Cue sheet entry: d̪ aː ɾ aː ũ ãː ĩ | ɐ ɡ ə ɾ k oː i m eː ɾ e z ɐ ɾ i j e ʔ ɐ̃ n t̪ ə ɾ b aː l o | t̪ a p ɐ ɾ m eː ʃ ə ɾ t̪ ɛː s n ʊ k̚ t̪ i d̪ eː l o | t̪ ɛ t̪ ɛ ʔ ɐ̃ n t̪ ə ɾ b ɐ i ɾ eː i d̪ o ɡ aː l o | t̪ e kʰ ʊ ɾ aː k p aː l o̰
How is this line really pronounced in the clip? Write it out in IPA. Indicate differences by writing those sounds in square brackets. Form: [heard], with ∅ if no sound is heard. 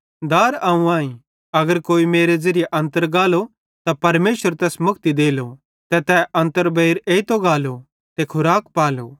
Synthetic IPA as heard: d̪ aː ɾ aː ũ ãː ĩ | ɐ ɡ ə ɾ k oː i m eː ɾ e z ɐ ɾ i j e ʔ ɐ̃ n t̪ ə ɾ [ɡ] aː l o | t̪ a p ɐ ɾ m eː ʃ ə ɾ t̪ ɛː s [m] ʊ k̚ t̪ i d̪ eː l o | t̪ ɛ t̪ ɛ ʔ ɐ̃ n t̪ ə ɾ b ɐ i ɾ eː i [t̪] o ɡ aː l o | t̪ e kʰ ʊ ɾ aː k p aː l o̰